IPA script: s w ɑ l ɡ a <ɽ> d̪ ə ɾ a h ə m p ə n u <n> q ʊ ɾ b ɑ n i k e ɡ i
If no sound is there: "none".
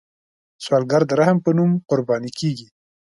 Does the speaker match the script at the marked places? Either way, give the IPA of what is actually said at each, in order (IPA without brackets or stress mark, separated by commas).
ɾ, m